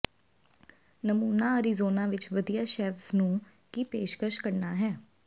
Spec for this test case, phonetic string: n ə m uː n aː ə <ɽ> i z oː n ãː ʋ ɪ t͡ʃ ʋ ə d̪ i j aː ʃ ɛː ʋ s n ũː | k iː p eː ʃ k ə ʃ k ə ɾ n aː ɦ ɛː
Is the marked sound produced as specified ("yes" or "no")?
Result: no